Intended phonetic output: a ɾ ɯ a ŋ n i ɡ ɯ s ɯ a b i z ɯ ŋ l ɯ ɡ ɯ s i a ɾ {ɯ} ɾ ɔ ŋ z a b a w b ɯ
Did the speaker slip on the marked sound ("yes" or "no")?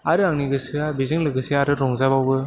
no